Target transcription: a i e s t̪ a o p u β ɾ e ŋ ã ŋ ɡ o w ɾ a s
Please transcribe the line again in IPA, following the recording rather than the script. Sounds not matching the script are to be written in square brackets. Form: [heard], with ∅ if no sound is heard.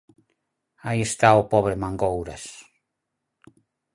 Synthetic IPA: a i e s t̪ a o p [ɔ] β ɾ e [m] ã ŋ ɡ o w ɾ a s